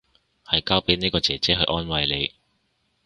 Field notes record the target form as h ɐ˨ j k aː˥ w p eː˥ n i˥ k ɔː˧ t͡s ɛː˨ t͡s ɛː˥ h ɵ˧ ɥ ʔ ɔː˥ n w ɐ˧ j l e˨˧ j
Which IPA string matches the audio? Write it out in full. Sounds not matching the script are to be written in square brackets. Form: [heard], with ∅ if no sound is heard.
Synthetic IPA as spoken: h ɐ˨ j k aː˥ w p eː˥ n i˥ k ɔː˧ t͡s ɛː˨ t͡s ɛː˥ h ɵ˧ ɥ ʔ ɔː˥ n w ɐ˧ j l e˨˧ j